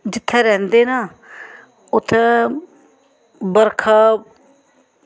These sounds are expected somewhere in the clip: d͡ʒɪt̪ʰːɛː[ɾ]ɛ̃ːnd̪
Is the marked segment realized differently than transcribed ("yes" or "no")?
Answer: no